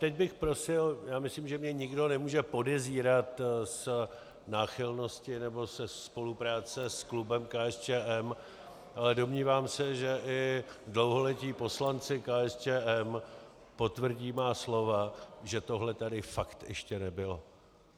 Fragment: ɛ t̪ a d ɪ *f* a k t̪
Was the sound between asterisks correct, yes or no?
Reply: yes